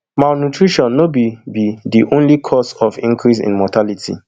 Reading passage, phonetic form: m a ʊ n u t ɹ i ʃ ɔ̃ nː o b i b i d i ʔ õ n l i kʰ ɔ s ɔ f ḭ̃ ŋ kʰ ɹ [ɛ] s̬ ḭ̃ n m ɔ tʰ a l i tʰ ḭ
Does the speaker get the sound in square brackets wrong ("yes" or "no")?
yes